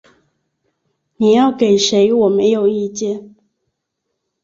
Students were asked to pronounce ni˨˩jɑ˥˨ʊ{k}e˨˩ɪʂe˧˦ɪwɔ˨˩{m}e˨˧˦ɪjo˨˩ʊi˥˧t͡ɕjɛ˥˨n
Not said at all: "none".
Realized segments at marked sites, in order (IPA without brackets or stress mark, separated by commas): k, m